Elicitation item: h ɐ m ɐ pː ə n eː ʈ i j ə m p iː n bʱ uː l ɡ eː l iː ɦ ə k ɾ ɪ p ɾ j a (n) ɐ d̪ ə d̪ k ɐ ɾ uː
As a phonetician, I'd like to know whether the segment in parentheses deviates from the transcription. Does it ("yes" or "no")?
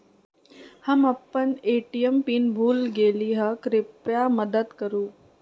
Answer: yes